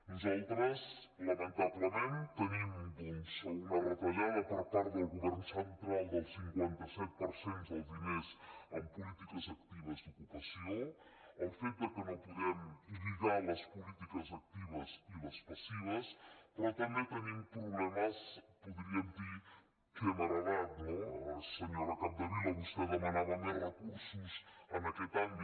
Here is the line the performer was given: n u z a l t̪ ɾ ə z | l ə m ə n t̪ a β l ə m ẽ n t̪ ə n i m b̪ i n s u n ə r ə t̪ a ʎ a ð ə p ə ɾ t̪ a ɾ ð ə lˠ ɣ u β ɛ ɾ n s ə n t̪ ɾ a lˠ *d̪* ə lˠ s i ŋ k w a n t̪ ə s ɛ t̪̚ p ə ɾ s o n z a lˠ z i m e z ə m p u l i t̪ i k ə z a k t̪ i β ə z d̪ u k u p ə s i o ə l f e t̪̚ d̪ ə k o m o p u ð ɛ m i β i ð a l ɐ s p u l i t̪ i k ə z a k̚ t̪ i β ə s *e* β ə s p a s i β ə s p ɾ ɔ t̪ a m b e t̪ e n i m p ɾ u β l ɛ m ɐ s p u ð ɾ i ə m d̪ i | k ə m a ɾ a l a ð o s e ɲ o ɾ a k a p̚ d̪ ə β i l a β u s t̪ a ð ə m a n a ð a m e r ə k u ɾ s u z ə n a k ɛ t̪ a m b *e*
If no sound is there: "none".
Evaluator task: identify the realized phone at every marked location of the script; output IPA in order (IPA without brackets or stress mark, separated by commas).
d̪, i, i